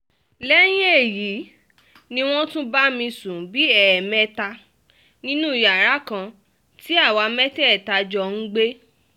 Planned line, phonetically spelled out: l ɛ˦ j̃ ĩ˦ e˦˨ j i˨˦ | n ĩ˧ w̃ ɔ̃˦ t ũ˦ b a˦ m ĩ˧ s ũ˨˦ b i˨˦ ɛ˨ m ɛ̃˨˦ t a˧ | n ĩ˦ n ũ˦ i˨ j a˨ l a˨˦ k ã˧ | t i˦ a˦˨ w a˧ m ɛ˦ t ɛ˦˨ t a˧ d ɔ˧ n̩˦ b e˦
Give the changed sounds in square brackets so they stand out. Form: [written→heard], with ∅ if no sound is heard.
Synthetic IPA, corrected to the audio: l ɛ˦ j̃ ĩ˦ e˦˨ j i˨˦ | n ĩ˧ w̃ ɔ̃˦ t ũ˦ b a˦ m ĩ˧ s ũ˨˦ b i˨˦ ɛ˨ m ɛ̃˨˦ t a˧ | n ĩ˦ n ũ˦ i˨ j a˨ [l→ɾ] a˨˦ k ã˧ | t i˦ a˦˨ w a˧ m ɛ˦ t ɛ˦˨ t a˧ [d→d͡ʒ] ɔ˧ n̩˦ [b→ɡ͡b] e˦